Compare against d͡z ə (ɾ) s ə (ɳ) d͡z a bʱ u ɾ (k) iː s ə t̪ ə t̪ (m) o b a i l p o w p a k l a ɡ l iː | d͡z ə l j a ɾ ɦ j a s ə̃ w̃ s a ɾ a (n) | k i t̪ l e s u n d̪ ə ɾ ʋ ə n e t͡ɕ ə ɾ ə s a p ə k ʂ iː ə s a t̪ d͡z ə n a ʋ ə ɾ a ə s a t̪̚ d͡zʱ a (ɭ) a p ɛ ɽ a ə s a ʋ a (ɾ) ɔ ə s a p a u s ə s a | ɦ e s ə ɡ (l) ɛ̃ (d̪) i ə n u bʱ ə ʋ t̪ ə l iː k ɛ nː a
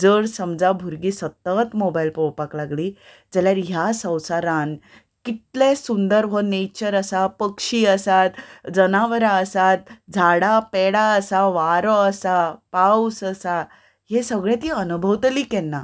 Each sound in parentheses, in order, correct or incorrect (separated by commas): incorrect, incorrect, incorrect, correct, correct, incorrect, correct, incorrect, incorrect